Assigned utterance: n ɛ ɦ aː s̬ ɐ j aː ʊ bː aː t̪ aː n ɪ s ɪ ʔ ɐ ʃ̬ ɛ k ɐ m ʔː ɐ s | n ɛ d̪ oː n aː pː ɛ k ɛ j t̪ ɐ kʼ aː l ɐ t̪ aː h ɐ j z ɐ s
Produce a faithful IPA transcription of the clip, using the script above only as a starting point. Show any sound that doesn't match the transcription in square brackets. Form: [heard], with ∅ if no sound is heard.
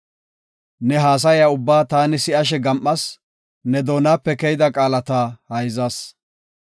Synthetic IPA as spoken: n ɛ ɦ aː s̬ ɐ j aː ʊ bː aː t̪ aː n ɪ s ɪ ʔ ɐ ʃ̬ ɛ [ɡ] ɐ m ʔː ɐ s | n ɛ d̪ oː n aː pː ɛ k ɛ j [d̪] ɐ kʼ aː l ɐ t̪ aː h ɐ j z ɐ s